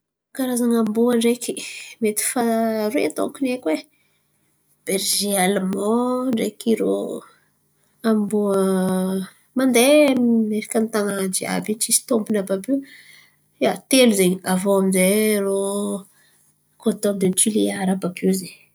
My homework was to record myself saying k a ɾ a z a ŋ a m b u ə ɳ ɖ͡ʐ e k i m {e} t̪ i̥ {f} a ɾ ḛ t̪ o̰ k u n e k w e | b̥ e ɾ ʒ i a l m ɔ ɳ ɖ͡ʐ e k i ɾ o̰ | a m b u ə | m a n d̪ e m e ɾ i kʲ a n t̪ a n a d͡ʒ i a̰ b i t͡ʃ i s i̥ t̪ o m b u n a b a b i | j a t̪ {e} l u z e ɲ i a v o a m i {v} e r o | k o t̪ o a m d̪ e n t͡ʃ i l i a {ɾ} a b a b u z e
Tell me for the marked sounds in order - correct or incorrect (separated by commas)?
correct, correct, correct, incorrect, correct